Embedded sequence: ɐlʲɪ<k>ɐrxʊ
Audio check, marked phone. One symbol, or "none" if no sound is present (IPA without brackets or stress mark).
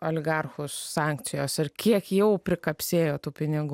ɡ